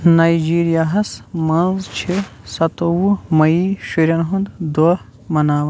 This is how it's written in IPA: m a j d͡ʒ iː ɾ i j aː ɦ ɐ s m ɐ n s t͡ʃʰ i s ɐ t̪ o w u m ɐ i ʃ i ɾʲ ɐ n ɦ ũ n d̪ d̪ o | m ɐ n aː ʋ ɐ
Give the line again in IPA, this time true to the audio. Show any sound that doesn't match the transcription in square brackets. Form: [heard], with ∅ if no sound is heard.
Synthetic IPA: [n] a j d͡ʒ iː ɾ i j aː ɦ ɐ s m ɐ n [z] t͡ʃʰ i s ɐ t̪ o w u m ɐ i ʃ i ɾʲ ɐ n ɦ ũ n d̪ d̪ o | m ɐ n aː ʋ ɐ

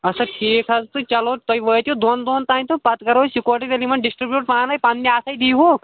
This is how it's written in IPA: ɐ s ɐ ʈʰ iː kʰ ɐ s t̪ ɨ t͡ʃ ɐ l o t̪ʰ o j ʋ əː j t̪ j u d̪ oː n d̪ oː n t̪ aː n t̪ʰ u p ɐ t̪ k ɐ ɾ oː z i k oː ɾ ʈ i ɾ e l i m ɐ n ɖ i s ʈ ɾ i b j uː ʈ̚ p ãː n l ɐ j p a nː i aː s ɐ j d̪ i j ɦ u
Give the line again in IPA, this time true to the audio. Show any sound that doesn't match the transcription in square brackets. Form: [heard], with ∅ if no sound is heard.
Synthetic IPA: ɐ s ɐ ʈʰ iː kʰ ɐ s t̪ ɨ t͡ʃ ɐ l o [t̪] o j ʋ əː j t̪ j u d̪ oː n d̪ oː n t̪ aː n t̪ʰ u p ɐ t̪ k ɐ ɾ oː [s] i k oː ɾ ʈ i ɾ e l i m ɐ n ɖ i s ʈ ɾ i b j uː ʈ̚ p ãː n l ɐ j p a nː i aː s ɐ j d̪ i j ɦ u

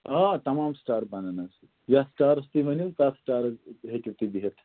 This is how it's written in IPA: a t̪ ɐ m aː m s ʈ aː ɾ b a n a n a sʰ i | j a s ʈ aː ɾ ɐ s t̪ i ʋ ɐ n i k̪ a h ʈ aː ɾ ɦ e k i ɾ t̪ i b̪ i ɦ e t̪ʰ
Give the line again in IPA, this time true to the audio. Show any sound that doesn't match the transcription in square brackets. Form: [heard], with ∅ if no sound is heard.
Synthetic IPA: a t̪ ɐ m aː m s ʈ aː ɾ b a n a n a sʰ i | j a s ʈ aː ɾ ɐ s t̪ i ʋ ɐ n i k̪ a [s] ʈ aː ɾ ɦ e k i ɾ t̪ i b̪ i ɦ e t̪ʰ

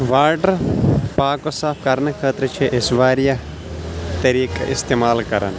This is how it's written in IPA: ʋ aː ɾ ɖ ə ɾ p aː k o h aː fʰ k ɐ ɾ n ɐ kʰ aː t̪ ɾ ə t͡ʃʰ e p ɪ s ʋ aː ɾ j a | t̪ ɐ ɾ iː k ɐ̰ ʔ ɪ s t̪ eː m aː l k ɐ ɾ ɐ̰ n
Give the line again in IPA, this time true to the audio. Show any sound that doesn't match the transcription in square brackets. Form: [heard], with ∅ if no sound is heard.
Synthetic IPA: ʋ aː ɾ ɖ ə ɾ p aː k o [s] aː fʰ k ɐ ɾ n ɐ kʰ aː t̪ ɾ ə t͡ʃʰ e [ʔ] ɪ s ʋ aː ɾ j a | t̪ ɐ ɾ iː k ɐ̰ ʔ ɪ s t̪ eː m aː l k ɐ ɾ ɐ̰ n

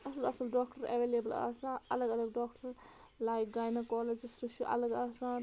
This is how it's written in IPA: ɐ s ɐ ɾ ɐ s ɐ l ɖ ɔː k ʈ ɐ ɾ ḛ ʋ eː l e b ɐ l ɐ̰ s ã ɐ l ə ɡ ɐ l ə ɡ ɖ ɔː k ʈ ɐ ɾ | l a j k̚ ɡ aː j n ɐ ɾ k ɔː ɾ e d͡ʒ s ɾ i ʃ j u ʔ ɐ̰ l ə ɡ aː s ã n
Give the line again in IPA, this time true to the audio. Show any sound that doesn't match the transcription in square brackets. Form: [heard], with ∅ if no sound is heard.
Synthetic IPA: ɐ s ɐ [l] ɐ s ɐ l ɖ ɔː k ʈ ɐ ɾ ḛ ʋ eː l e b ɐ l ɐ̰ s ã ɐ l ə ɡ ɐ l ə ɡ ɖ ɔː k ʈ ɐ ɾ | l a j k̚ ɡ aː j n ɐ [∅] k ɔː [l] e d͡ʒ s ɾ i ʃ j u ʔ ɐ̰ l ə ɡ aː s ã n

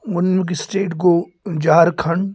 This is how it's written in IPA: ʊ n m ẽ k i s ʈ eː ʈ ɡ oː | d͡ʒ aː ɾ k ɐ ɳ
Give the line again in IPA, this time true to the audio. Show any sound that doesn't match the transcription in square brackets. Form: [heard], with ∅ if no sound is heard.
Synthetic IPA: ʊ n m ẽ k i s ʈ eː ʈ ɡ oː | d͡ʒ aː ɾ [kʰ] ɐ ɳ

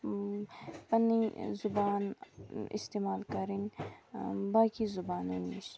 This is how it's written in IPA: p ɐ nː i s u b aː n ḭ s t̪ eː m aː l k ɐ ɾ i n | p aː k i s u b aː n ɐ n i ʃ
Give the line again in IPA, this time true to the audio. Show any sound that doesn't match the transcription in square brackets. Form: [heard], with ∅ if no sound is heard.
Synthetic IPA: p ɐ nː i [z] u b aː n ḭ s t̪ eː m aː l k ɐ ɾ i n | [b] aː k i [z] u b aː n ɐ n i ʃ

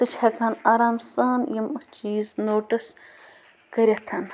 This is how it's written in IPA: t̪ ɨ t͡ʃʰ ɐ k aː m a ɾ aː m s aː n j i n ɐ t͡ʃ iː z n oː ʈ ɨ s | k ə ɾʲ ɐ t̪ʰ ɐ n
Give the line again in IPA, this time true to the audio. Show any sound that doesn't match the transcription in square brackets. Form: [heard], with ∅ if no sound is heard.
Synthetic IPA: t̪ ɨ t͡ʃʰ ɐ k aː [n] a ɾ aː m s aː n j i [m] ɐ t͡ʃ iː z n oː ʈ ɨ s | k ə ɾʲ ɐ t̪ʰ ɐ n

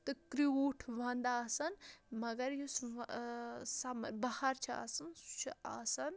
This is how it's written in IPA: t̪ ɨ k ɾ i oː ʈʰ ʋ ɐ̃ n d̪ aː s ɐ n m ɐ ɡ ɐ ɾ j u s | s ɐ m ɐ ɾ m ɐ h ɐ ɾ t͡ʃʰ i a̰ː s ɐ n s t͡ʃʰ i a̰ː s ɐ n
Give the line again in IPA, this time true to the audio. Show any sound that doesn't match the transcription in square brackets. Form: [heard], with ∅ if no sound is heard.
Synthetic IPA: t̪ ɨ k ɾ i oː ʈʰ ʋ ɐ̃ n d̪ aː s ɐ n m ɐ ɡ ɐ ɾ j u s | s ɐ m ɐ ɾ [b] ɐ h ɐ ɾ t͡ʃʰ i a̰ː s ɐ n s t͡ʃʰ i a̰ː s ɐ n

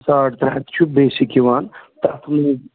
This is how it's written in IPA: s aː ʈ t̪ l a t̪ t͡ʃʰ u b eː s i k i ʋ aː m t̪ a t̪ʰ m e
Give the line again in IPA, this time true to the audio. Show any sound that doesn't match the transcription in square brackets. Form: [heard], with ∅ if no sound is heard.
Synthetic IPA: s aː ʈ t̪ [ɾ] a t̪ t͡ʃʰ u b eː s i k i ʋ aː [n] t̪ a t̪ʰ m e

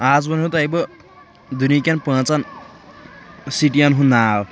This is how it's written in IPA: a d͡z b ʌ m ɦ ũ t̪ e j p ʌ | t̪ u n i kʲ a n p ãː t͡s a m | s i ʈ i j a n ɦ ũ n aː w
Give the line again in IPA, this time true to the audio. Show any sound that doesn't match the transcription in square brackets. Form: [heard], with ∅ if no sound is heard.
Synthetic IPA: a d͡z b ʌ [n] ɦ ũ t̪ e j [b] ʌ | [d̪] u n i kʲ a n p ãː t͡s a [n] | s i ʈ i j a n ɦ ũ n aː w

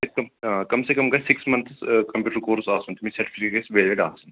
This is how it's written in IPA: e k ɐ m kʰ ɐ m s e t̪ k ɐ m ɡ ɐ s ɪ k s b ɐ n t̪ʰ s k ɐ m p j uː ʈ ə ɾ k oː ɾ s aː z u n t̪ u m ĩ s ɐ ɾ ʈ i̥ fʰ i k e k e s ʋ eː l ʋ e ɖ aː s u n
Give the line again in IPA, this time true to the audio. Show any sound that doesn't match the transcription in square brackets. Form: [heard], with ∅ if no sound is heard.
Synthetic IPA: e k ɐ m [k] ɐ m s e [∅] k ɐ m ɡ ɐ s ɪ k s [m] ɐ n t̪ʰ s k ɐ m p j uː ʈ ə ɾ k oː ɾ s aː [s] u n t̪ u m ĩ s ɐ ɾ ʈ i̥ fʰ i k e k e s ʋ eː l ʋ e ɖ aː s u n

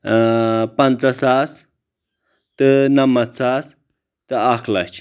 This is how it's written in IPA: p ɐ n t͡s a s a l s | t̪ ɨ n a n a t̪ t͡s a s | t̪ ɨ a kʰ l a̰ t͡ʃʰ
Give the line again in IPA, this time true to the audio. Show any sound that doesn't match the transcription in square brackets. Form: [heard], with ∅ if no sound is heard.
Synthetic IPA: p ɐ n t͡s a s a [∅] s | t̪ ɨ n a [m] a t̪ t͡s a s | t̪ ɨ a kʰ l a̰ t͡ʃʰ

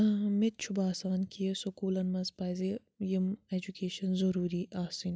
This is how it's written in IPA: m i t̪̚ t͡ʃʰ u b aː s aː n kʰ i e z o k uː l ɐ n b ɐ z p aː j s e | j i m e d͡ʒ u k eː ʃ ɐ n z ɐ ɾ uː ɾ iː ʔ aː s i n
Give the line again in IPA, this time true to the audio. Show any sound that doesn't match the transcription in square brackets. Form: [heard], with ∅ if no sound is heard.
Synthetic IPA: m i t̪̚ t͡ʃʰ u b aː s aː n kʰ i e [s] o k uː l ɐ n [m] ɐ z p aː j [z] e | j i m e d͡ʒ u k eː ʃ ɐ n z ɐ ɾ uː ɾ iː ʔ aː s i n

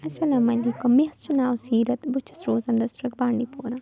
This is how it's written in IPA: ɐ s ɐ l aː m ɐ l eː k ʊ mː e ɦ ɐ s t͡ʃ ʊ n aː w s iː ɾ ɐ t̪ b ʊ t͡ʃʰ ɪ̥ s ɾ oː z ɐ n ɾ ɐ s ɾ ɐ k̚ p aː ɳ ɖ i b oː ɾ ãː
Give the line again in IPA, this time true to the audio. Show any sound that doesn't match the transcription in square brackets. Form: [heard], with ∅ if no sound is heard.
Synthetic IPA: ɐ s ɐ l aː m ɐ l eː k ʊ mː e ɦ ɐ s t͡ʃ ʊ n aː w s iː ɾ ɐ t̪ b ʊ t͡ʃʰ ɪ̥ s ɾ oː z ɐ n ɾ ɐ s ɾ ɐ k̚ [b] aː ɳ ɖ i [p] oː ɾ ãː

